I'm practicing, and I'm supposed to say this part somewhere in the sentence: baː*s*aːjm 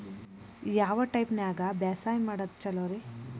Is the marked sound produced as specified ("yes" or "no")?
yes